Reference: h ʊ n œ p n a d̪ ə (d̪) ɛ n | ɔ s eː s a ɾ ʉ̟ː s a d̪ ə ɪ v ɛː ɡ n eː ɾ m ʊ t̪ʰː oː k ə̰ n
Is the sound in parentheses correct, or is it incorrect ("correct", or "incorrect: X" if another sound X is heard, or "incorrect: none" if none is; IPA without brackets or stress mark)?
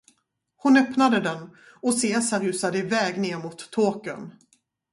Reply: correct